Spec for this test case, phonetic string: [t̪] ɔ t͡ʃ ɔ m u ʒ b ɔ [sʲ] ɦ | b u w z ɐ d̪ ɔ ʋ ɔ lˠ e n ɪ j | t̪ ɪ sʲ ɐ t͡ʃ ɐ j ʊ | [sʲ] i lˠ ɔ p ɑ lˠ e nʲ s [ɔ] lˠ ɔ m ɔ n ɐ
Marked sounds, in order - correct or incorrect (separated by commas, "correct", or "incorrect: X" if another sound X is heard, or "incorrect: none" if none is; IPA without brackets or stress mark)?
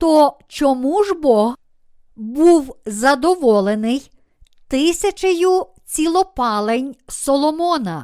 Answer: correct, incorrect: none, incorrect: t͡sʲ, correct